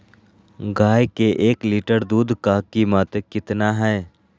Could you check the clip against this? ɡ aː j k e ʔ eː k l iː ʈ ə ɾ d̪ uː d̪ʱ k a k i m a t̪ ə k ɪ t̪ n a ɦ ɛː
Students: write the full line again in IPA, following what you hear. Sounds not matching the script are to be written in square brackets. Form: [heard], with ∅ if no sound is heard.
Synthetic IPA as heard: ɡ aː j k e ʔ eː k l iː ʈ ə ɾ d̪ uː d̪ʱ k a k i m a t̪ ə k ɪ t̪ n a ɦ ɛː

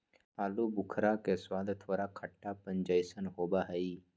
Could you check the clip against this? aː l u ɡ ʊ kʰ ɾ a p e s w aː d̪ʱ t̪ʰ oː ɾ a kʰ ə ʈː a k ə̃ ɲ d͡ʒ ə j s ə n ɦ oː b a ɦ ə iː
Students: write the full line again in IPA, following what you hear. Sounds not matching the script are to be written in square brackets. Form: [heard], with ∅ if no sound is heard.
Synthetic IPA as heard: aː l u [b] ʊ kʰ ɾ a [k] e s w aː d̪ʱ t̪ʰ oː ɾ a kʰ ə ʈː a [p] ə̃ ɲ d͡ʒ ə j s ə n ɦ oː b a ɦ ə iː

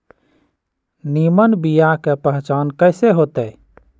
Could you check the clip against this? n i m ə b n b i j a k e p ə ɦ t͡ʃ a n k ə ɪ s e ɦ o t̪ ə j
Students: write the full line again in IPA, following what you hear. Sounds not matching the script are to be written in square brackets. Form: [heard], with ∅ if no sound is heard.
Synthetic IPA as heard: n i m ə [∅] n b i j a k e p ə ɦ t͡ʃ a n k ə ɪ s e ɦ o t̪ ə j

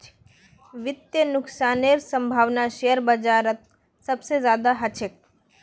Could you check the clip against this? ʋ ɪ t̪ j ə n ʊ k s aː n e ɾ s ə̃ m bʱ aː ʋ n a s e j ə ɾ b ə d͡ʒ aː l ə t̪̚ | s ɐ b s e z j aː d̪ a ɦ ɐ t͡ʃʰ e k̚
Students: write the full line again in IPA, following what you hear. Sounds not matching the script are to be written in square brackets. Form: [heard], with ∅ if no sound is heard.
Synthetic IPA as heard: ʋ ɪ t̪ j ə n ʊ k s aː n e ɾ s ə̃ m bʱ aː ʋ n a [ʃ] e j ə ɾ b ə d͡ʒ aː [ɾ] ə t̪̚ | s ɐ b s e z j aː d̪ a ɦ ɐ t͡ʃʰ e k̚

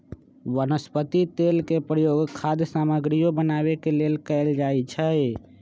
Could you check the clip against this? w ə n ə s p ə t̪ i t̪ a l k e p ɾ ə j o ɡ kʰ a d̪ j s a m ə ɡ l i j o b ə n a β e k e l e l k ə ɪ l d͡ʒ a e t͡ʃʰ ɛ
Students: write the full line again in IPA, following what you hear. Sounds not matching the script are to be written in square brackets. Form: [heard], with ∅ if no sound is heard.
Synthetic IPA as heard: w ə n ə s p ə t̪ i t̪ [e] l k e p ɾ ə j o ɡ kʰ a d̪ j s a m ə ɡ [ɾ] i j o b ə n a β e k e l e l k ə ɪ l d͡ʒ a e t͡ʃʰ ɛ

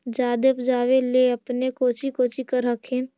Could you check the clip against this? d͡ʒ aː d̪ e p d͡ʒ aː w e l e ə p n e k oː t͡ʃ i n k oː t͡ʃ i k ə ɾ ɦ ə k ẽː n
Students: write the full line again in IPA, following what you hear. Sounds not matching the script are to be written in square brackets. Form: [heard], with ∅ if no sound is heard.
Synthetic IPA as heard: d͡ʒ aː d̪ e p d͡ʒ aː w e l e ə p n e k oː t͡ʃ i [∅] k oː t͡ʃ i k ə ɾ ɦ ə [kʰ] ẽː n

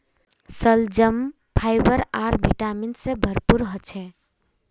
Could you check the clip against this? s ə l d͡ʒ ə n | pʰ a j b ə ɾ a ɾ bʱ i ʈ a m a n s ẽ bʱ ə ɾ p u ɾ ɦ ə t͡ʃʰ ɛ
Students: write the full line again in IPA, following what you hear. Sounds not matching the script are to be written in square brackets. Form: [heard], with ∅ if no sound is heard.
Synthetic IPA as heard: s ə l d͡ʒ ə [m] | pʰ a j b ə ɾ a ɾ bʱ i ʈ a m [i] n s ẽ bʱ ə ɾ p u ɾ ɦ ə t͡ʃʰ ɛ

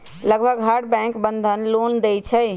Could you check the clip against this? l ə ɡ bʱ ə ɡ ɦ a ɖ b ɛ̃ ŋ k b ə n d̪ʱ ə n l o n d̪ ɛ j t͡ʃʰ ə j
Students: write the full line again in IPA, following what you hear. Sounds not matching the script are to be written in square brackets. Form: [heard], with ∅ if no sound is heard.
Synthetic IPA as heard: l ə ɡ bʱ ə ɡ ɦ a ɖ b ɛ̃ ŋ k b ə n d̪ʱ ə n l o n d̪ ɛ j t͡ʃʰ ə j

